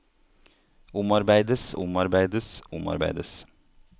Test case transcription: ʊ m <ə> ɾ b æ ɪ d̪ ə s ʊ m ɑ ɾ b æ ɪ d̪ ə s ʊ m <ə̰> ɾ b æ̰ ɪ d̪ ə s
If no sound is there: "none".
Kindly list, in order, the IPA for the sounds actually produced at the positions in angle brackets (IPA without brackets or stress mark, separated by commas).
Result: ɑ, ɑ̰